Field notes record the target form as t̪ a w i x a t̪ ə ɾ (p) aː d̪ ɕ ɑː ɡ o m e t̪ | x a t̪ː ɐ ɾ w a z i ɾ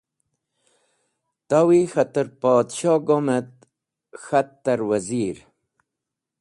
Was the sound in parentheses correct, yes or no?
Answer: yes